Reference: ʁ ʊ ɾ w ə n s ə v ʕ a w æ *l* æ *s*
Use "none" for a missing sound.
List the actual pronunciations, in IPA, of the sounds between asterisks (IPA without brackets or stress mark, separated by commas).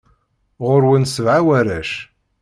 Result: ɾ, ʃ